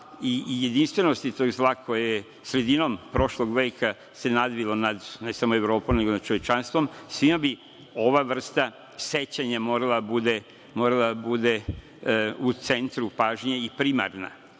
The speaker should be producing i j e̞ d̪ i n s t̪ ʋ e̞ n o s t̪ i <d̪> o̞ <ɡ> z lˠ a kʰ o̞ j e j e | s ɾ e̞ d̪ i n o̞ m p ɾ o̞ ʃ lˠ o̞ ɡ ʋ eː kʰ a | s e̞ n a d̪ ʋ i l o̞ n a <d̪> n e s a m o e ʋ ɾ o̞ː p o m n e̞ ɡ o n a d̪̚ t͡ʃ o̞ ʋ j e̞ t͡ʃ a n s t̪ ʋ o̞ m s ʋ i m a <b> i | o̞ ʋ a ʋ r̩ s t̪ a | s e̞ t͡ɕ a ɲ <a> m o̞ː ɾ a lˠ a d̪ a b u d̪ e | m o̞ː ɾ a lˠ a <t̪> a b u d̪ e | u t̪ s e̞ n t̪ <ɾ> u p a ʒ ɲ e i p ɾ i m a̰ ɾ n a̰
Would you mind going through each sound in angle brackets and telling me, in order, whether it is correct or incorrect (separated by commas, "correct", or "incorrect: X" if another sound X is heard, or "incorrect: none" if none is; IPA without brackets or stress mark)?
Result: incorrect: t̪, correct, correct, correct, correct, incorrect: d̪, correct